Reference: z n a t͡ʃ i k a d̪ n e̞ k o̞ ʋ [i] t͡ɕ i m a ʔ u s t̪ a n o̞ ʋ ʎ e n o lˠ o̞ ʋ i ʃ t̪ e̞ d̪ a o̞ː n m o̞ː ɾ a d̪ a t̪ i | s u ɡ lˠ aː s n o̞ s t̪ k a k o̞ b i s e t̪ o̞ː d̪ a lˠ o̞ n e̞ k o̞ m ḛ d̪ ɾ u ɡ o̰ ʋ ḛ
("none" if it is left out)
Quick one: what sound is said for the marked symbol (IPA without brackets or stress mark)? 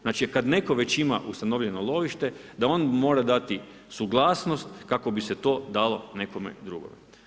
e